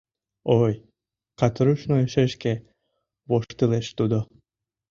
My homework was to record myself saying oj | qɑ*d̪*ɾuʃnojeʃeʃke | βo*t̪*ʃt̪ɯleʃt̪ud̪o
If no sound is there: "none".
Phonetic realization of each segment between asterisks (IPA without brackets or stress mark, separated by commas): t̪, none